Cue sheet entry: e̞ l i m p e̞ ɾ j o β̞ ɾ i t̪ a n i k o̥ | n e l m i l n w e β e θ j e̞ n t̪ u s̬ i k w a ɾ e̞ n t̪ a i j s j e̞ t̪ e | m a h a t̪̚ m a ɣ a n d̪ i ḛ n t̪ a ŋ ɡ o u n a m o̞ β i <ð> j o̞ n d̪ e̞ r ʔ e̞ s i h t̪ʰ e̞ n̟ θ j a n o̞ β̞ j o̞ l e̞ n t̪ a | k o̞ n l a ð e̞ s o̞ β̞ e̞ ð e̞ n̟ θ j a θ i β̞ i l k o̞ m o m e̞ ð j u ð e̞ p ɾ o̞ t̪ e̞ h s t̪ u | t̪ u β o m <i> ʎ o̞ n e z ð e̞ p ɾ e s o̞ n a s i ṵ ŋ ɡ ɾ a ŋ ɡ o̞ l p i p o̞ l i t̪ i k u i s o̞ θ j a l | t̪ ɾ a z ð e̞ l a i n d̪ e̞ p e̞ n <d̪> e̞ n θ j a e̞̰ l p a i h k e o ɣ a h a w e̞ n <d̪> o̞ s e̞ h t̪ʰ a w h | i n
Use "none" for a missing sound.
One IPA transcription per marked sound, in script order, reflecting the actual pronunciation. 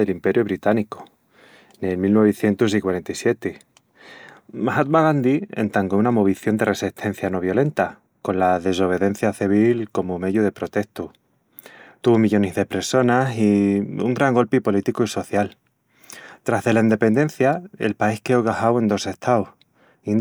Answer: θ, i, d̪, d̪

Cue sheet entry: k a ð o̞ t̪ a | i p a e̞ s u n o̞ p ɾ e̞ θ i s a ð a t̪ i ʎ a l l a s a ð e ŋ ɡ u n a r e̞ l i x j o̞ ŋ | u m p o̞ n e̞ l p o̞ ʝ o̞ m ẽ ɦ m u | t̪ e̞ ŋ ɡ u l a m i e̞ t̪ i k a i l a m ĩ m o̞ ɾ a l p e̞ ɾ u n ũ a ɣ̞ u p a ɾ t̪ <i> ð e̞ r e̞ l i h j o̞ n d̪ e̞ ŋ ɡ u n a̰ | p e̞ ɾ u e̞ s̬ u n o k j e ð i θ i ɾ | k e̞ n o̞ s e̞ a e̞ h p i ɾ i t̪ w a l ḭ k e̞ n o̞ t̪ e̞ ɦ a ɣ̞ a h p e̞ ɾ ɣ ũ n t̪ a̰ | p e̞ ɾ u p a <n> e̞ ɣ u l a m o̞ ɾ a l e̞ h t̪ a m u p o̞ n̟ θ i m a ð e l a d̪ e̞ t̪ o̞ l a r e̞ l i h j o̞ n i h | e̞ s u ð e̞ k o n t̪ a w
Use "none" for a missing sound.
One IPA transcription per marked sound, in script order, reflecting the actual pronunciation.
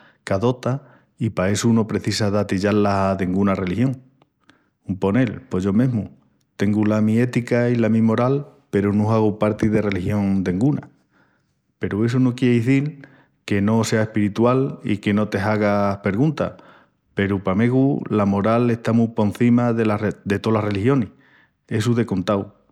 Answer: i, m

